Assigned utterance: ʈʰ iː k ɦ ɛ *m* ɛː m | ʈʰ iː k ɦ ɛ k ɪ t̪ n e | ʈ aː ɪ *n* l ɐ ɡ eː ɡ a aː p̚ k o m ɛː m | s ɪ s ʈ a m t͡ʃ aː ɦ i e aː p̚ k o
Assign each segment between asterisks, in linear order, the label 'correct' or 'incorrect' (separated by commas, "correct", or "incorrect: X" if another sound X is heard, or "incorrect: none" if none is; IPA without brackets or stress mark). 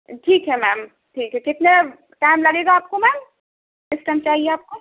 correct, incorrect: m